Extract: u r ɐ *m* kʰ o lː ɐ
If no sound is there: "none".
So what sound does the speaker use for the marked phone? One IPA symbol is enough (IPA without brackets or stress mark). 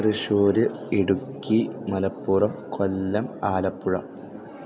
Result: m